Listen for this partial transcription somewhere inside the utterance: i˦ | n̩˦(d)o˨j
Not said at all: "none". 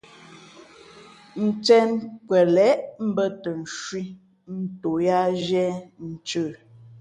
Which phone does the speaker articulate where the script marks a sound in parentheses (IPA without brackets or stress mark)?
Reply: t